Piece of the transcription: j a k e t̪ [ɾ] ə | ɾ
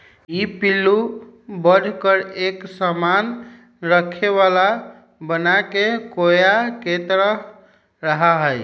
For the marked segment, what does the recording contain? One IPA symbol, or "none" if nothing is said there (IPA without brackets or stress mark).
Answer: ɾ